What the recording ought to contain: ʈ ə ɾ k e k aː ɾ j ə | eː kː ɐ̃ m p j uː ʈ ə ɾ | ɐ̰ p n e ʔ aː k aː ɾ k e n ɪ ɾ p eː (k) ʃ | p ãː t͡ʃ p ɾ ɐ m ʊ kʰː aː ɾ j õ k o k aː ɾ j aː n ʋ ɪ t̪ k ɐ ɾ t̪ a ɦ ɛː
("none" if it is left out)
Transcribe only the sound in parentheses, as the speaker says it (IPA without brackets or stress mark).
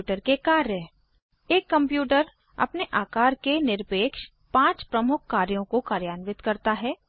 k